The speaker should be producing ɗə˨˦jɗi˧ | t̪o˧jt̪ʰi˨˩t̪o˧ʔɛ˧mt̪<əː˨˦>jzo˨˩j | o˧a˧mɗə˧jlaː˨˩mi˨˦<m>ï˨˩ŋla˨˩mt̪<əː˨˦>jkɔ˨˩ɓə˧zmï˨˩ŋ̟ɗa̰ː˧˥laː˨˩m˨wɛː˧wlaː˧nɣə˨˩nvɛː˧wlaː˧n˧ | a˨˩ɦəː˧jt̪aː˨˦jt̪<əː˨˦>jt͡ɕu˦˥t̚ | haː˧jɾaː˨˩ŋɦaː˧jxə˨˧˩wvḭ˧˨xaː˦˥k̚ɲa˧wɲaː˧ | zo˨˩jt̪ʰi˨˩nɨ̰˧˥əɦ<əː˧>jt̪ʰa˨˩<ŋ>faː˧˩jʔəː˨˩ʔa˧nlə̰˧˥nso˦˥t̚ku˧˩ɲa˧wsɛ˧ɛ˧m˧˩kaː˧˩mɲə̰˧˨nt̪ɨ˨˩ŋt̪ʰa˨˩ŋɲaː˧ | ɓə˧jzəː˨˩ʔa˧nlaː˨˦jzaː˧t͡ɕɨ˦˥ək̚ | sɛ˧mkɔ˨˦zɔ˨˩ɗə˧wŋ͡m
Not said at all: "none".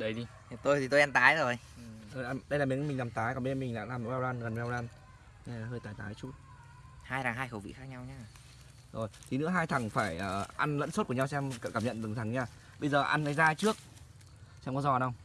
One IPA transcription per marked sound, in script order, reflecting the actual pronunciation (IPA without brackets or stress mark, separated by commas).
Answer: aː˨˦, m, aː˨˦, aː˨˦, aː˧, ŋ